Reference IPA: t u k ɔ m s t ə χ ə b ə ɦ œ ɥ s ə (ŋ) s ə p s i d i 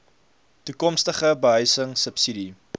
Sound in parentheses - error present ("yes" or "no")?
no